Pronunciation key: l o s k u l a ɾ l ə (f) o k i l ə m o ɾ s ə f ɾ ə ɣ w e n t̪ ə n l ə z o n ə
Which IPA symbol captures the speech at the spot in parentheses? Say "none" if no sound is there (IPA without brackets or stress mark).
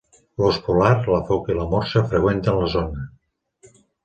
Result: f